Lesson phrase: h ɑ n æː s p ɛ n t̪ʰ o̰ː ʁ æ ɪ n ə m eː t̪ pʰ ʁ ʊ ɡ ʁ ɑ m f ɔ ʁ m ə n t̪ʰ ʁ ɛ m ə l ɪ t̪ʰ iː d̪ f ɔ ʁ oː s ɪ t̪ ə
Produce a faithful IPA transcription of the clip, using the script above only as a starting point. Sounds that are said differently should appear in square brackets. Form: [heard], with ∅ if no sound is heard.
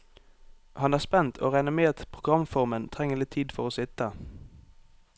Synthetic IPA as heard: h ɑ n æː s p ɛ n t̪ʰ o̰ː ʁ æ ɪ n ə m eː t̪ pʰ ʁ ʊ ɡ ʁ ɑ m f ɔ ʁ m ə n t̪ʰ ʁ ɛ [ŋ] ə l ɪ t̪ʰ iː d̪ f ɔ ʁ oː s ɪ t̪ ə